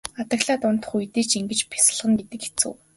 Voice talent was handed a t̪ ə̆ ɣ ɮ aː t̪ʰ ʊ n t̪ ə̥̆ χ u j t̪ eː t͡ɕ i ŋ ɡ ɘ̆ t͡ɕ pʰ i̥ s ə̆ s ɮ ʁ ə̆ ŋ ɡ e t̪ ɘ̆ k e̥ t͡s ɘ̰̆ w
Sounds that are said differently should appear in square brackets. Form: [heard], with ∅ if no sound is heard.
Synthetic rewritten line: a t̪ ə̆ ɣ ɮ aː [t̪] ʊ n t̪ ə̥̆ χ u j t̪ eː t͡ɕ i ŋ ɡ ɘ̆ t͡ɕ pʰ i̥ s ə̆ [∅] ɮ ʁ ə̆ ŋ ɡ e t̪ ɘ̆ k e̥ t͡s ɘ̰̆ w